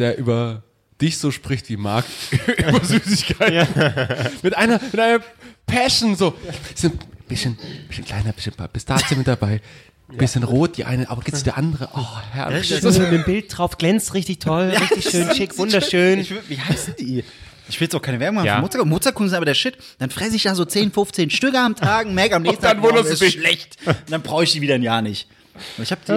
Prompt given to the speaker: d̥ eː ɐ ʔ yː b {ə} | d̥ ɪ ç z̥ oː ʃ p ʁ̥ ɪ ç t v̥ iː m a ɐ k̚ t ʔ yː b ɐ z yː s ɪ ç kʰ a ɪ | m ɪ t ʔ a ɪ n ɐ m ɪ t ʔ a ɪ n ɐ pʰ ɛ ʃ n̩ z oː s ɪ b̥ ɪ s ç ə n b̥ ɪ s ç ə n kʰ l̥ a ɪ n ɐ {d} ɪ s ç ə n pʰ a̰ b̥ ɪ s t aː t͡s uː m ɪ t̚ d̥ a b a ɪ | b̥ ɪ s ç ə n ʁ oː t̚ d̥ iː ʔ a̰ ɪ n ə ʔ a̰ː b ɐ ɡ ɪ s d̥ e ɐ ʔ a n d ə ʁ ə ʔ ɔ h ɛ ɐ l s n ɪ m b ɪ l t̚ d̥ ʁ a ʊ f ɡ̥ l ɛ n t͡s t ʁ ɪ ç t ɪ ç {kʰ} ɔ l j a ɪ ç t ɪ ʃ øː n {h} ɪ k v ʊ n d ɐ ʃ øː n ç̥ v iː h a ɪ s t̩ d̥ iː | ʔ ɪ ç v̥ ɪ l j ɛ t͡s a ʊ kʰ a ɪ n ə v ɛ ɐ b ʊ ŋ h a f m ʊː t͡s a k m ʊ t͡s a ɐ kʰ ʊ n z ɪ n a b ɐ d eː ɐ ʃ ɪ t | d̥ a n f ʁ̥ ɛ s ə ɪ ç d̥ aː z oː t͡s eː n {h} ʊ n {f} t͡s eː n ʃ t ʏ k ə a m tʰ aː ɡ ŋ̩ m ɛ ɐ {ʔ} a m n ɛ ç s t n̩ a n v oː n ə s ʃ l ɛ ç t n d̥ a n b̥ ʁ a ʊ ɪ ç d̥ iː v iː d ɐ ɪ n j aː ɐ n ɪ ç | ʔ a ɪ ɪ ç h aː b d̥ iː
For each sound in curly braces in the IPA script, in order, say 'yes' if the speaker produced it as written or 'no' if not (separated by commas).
no, no, no, no, no, yes, no